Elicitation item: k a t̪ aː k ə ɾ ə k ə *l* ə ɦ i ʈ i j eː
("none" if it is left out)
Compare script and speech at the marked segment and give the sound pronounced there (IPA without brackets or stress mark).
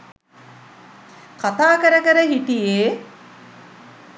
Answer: ɾ